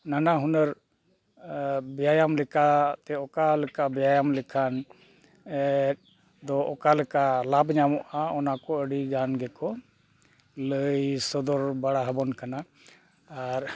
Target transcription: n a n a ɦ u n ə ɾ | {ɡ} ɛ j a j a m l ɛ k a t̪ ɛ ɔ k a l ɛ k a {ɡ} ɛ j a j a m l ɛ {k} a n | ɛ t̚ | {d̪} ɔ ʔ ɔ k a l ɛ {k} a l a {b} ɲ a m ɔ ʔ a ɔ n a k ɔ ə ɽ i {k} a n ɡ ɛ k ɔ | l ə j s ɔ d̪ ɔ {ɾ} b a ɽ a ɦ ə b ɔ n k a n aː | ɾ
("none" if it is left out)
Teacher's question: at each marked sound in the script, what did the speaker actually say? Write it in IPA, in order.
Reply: b, b, kʰ, d̪, k, b, ɡ, ɾ

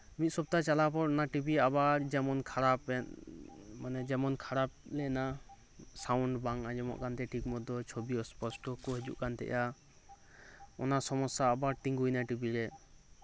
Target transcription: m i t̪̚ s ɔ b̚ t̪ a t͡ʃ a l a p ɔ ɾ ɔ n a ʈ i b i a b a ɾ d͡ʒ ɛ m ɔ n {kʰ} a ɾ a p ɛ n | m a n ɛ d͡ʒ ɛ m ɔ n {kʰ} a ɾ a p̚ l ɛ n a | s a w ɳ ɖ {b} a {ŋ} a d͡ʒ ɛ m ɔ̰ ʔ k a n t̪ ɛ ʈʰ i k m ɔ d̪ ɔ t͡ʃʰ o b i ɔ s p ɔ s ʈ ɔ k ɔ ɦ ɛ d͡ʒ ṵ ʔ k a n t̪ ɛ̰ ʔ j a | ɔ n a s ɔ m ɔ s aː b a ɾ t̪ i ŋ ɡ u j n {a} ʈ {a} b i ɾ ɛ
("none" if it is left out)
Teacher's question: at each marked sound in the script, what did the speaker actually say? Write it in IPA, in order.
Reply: kʰ, kʰ, b, ŋ, a, i

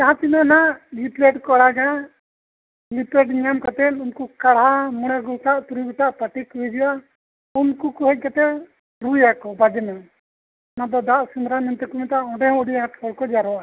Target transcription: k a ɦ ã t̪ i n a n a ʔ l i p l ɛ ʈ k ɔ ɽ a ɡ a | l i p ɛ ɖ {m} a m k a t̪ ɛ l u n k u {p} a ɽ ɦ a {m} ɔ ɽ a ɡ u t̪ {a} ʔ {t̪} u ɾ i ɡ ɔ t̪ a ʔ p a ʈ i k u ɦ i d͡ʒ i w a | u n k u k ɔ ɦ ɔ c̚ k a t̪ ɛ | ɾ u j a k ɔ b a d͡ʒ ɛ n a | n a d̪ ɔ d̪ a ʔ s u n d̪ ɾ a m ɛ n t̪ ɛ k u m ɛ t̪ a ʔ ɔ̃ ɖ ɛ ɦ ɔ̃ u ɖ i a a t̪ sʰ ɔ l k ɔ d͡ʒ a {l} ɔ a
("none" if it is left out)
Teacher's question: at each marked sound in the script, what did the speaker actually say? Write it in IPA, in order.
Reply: ɲ, k, m, a, t̪, ɾ

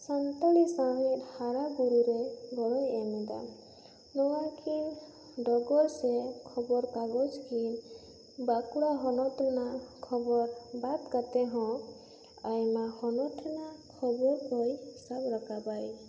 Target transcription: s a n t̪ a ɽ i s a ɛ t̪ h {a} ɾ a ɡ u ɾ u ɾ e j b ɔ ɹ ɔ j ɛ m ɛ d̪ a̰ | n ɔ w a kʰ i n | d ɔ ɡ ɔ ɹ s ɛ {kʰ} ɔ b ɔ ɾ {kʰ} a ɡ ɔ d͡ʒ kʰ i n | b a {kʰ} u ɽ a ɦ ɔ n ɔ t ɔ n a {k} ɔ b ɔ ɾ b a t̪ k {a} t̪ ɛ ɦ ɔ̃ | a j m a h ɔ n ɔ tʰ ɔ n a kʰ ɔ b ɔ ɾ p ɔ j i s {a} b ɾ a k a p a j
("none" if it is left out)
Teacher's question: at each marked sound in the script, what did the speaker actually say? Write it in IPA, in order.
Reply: a, kʰ, k, k, kʰ, a, a

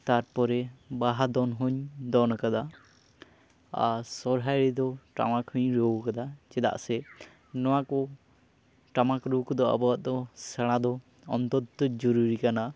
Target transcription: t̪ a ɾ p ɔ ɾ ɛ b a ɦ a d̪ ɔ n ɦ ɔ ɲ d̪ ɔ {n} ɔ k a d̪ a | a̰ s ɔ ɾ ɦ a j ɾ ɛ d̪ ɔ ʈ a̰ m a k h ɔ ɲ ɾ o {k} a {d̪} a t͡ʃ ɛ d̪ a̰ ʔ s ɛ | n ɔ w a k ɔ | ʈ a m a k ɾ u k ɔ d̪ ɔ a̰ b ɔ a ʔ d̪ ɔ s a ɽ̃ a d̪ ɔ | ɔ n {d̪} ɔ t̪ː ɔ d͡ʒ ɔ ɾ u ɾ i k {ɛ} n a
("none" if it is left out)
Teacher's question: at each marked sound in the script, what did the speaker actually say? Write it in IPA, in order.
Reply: n, k, d̪, t̪, a

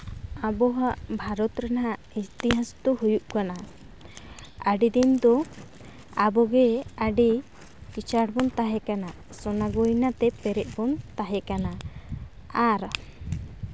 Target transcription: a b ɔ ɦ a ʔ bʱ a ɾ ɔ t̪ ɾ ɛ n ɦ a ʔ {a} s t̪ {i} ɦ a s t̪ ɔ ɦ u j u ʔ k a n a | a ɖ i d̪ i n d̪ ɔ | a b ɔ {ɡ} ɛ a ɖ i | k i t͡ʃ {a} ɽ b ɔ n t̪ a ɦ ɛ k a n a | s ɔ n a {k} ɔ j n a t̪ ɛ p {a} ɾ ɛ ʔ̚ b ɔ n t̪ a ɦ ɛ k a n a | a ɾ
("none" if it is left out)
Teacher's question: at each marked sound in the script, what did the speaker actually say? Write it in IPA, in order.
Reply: i, i, ɡ, a, ɡ, ɛ

